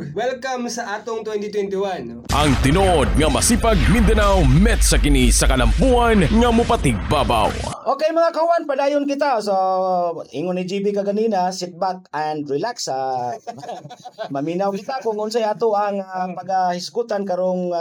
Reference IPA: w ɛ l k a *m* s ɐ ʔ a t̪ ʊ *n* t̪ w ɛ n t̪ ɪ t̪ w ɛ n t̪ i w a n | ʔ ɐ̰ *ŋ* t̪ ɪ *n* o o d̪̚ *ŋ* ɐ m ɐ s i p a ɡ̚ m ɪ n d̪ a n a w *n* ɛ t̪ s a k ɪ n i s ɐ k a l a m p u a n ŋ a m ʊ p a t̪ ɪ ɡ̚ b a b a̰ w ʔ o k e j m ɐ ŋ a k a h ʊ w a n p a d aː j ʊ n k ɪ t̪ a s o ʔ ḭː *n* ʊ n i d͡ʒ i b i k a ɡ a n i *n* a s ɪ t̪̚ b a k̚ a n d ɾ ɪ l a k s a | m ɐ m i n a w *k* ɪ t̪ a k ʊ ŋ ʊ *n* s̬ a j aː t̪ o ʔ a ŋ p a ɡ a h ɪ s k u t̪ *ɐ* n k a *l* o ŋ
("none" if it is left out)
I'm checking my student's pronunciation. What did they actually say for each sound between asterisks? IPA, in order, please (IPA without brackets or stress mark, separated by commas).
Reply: m, ŋ, ŋ, n, ŋ, m, ŋ, n, k, n, a, ɾ